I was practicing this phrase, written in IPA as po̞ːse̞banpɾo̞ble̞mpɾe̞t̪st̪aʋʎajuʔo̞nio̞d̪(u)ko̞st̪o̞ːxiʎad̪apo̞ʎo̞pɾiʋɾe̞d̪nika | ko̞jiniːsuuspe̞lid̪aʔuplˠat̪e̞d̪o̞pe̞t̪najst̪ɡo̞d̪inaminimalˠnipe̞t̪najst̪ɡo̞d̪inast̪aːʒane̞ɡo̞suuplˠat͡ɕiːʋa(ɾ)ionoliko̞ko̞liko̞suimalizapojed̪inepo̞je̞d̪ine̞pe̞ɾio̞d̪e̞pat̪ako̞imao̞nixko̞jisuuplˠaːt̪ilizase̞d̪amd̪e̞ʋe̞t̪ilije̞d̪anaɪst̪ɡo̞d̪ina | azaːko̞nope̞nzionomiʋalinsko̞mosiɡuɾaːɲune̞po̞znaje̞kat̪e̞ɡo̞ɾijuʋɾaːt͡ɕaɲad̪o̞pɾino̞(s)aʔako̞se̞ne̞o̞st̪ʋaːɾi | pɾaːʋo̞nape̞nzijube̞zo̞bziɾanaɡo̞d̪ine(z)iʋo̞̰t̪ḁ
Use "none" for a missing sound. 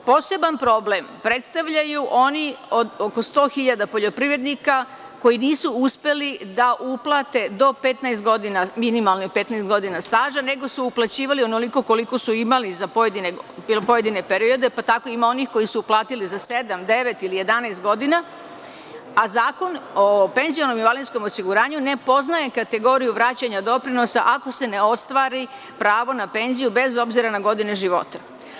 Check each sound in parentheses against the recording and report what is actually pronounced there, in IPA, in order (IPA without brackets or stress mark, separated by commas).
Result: o, l, s, ʒ